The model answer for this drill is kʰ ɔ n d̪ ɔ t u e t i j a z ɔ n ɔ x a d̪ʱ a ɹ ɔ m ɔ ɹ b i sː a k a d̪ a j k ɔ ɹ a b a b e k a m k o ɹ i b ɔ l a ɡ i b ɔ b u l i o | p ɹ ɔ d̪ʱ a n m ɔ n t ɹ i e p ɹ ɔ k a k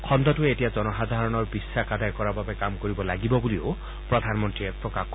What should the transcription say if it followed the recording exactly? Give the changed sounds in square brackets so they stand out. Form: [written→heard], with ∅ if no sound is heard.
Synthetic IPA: kʰ ɔ n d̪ ɔ t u e t i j a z ɔ n ɔ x a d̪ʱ a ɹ ɔ [m→n] ɔ ɹ b i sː a k a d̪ a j k ɔ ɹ a b a b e k a m k o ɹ i b ɔ l a ɡ i b ɔ b u l i o | p ɹ ɔ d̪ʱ a n m ɔ n t ɹ i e p ɹ ɔ k a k